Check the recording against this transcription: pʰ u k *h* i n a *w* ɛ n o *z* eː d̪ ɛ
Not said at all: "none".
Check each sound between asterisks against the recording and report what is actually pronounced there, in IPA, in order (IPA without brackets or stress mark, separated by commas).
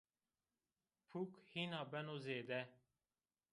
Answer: h, b, z